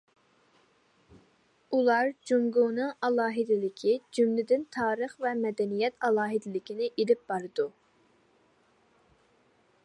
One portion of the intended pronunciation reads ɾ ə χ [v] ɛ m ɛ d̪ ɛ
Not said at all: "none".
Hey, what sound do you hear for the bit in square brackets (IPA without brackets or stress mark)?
v